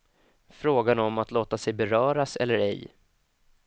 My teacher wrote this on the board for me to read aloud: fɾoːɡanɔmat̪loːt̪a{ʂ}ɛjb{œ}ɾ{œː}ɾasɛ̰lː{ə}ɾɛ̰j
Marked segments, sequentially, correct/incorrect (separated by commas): incorrect, incorrect, correct, correct